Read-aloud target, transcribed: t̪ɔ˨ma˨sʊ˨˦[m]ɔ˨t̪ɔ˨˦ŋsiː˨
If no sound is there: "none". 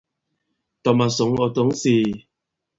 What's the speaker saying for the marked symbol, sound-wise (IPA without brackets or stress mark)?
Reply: ŋ